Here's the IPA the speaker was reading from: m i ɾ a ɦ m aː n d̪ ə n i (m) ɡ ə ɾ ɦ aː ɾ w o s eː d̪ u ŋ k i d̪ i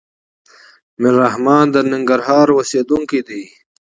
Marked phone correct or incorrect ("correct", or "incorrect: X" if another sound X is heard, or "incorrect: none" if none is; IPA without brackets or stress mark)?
incorrect: ŋ